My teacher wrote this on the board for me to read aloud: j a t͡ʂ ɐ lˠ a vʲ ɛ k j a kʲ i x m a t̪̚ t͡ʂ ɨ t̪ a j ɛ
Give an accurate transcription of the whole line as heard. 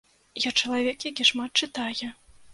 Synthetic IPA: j a t͡ʂ ɐ lˠ a vʲ ɛ k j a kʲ i ʂ m a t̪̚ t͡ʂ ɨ t̪ a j ɛ